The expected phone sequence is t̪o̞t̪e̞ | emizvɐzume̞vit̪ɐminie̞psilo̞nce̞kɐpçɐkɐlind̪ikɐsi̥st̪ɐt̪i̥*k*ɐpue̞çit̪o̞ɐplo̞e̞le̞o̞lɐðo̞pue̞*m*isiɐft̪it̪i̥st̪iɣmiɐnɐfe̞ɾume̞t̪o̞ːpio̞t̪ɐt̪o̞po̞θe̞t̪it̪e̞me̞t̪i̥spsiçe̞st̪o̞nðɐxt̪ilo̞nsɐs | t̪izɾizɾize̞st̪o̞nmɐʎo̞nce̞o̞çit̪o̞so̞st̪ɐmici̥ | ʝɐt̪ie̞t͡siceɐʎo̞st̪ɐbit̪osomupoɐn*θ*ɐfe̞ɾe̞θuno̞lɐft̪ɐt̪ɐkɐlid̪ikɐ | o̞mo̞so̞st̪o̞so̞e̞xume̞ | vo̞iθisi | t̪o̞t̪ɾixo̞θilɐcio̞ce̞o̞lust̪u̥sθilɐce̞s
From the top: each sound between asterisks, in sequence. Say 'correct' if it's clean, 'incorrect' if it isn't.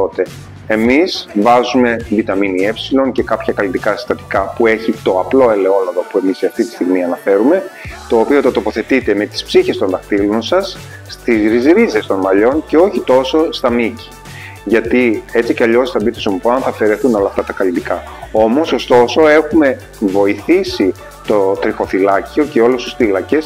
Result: correct, correct, correct

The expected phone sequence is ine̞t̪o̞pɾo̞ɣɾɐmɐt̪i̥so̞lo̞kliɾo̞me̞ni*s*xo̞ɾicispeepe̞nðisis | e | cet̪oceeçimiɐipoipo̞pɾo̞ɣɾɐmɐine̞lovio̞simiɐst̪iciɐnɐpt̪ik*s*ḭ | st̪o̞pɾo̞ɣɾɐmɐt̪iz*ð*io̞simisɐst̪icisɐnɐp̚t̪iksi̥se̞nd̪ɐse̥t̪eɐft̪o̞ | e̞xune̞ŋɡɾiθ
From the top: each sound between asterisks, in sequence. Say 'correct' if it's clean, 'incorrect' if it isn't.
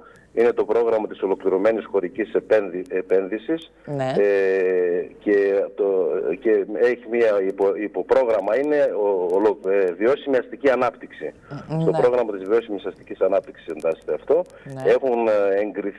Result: correct, correct, incorrect: v

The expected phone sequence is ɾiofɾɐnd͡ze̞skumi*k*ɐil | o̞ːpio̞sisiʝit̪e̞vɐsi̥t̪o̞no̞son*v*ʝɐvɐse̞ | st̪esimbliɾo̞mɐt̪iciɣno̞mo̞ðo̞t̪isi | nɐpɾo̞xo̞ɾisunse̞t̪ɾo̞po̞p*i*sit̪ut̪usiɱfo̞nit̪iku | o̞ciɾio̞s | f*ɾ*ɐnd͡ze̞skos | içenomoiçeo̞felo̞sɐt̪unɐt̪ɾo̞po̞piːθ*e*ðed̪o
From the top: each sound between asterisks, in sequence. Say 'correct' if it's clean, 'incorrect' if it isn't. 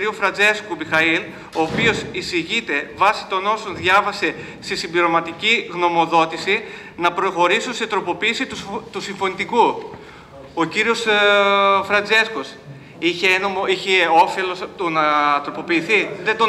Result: incorrect: x, incorrect: ð, incorrect: iː, correct, incorrect: i

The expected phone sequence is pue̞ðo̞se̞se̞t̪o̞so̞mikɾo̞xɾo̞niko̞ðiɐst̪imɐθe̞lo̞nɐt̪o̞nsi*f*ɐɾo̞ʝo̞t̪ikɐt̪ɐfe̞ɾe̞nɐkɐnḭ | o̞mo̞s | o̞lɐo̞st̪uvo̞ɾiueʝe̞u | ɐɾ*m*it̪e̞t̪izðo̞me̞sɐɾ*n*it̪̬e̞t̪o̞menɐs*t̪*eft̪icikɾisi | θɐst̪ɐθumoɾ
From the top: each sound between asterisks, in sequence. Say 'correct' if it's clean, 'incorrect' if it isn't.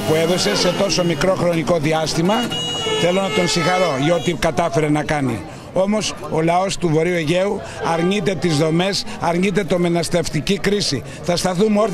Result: incorrect: x, incorrect: ɲ, incorrect: ɲ, correct

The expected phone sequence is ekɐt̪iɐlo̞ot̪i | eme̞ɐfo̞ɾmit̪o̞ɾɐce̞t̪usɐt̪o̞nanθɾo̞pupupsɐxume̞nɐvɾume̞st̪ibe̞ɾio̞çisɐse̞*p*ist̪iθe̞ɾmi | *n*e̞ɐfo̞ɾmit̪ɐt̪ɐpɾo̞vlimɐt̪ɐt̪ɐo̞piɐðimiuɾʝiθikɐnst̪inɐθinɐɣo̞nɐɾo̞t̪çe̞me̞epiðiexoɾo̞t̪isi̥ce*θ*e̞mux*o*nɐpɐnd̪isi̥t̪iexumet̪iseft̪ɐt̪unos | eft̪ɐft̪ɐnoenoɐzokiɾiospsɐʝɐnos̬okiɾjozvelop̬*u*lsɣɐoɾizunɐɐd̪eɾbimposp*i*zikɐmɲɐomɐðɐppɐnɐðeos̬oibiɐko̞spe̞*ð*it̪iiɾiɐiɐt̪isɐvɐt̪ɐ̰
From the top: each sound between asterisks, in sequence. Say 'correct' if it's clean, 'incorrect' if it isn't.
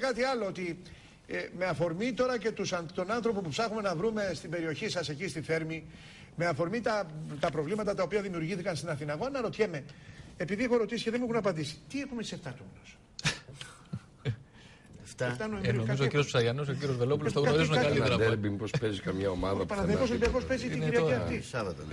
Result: incorrect: c, incorrect: m, incorrect: ð, incorrect: u, correct, incorrect: e, incorrect: z

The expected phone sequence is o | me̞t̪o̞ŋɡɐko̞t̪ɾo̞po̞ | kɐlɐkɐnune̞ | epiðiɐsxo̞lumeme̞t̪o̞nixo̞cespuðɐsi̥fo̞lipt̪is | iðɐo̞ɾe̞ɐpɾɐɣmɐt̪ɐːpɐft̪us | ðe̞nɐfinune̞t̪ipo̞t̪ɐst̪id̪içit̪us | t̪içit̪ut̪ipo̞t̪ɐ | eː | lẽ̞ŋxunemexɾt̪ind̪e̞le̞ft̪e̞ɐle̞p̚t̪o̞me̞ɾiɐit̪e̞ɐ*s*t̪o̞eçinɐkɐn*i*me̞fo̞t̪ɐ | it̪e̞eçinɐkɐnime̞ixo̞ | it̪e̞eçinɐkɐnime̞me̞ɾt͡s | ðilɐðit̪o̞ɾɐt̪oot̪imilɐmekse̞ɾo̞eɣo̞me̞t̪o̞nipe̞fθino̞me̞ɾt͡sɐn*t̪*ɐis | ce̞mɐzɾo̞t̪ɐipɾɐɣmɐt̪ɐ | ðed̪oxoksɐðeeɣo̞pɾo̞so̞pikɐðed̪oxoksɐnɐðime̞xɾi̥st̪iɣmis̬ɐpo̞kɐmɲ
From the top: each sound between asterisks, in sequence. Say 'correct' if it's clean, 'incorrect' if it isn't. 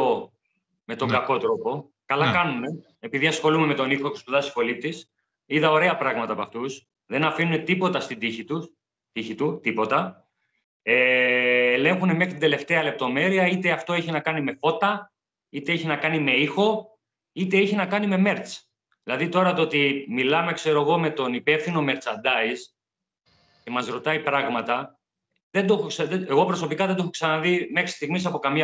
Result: incorrect: f, correct, incorrect: d̪

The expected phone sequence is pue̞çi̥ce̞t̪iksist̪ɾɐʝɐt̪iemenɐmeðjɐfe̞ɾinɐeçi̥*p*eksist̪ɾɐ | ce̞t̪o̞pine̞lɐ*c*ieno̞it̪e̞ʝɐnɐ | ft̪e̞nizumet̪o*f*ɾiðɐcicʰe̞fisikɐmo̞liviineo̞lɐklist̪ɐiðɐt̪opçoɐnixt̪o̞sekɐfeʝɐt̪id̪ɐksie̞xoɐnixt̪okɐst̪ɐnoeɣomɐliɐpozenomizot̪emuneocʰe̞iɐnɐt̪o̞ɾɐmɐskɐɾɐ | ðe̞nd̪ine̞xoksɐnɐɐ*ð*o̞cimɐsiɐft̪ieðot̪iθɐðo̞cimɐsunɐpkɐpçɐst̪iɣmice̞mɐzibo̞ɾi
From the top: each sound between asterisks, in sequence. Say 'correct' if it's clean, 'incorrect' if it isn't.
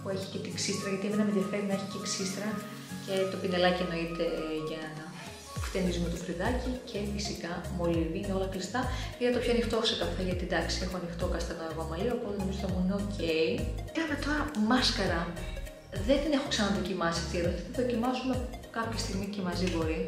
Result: incorrect: c, correct, correct, correct

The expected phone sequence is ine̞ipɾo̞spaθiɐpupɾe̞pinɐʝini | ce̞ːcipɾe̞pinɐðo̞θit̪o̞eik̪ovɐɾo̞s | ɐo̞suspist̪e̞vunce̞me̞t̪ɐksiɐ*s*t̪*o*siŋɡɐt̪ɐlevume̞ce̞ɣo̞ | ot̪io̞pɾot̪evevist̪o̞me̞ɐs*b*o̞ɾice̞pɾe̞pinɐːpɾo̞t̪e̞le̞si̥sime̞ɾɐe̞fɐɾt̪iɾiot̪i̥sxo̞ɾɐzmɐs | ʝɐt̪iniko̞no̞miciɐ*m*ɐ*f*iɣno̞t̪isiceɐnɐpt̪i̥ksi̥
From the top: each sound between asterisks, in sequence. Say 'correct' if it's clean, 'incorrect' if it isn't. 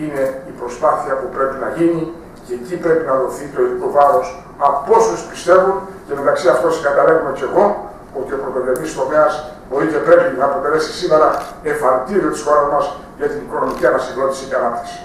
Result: incorrect: f, correct, correct, incorrect: n, incorrect: s

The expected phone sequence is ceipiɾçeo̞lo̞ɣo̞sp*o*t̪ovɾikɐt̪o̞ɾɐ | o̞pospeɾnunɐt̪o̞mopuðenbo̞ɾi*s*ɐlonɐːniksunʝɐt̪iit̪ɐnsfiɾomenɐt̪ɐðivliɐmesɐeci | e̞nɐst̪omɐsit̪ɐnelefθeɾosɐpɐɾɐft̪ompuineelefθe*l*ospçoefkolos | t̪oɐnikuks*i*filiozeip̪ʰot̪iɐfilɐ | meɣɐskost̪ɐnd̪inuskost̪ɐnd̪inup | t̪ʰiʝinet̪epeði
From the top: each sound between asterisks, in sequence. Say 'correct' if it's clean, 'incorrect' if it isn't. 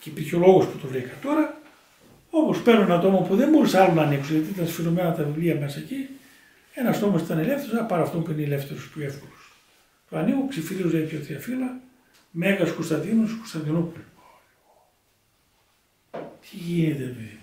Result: incorrect: u, correct, incorrect: ɾ, correct

